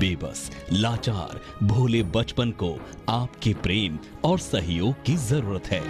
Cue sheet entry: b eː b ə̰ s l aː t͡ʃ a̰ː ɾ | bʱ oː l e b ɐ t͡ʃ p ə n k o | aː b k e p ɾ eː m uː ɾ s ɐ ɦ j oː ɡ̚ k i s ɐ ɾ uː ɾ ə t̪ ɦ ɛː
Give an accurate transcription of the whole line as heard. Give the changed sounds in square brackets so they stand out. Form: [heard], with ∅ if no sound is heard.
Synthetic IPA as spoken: b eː b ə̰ s l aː t͡ʃ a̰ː ɾ | bʱ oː l e b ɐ t͡ʃ p ə n k o | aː [p] k e p ɾ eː m [ɔː] ɾ s ɐ ɦ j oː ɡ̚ k i [z] ɐ ɾ uː ɾ ə t̪ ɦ ɛː